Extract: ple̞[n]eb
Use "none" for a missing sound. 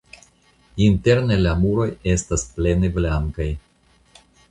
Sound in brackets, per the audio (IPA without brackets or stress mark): n